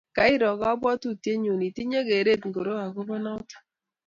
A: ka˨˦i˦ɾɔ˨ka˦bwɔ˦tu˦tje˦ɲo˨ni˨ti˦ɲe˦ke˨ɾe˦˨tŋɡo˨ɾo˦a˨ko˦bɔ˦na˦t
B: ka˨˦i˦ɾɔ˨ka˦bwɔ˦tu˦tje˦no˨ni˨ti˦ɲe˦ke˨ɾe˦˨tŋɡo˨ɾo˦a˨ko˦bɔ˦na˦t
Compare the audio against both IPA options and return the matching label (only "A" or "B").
A